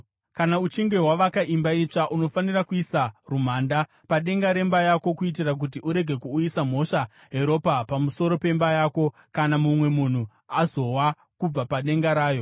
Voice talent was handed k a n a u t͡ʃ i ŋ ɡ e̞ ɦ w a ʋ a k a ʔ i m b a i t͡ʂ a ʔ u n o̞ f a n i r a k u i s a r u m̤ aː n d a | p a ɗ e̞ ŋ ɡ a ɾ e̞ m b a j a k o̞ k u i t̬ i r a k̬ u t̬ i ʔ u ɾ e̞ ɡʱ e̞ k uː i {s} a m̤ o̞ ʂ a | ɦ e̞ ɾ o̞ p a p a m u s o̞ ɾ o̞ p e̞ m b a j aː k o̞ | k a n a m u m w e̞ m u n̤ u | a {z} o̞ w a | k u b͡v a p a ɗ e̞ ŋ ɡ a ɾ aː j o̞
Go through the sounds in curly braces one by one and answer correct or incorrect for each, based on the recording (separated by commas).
correct, correct